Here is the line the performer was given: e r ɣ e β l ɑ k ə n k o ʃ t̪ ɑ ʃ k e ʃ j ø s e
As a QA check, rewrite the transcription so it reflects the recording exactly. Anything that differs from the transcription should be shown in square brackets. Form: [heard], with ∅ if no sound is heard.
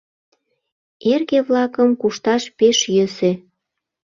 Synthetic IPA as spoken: e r ɣ e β l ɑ k ə [m] k [u] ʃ t̪ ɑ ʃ [p] e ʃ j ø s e